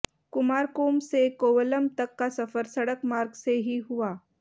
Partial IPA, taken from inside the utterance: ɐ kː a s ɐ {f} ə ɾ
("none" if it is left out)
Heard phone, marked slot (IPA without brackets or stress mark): f